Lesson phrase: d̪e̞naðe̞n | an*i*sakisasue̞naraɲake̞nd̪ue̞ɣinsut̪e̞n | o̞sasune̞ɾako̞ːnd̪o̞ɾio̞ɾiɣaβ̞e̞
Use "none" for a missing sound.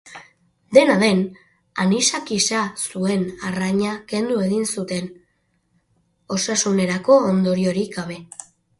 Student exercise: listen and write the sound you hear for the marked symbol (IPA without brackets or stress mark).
i